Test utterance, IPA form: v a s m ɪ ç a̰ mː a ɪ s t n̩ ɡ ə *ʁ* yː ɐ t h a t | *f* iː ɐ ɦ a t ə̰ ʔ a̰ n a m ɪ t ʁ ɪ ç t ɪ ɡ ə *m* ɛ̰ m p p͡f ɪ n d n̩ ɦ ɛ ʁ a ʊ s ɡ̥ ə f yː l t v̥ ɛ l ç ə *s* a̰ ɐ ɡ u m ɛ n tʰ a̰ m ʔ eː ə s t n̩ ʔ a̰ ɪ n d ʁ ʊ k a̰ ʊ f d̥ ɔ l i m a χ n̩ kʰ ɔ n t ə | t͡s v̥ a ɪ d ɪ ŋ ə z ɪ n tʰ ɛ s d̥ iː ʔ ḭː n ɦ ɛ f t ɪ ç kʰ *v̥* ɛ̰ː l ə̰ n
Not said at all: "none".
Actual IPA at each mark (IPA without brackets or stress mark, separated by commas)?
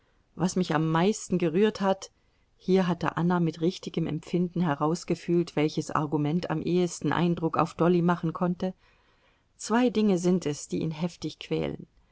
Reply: ʁ, h, m, s, v̥